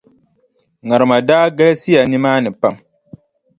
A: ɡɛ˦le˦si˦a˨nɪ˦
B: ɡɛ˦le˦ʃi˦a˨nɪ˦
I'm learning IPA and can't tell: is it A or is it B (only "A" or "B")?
A